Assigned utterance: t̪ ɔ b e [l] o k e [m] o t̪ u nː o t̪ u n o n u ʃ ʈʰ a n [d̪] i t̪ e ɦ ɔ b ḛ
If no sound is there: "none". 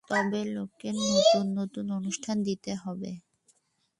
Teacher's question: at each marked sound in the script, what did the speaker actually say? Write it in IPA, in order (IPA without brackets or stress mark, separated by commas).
l, n, d̪